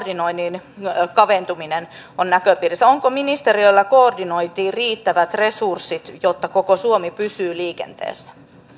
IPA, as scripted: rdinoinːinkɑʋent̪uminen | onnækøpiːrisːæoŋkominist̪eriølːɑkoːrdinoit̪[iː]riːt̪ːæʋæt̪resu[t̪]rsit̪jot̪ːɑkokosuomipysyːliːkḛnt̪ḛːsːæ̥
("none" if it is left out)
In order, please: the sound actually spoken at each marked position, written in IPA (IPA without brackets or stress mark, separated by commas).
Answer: iː, none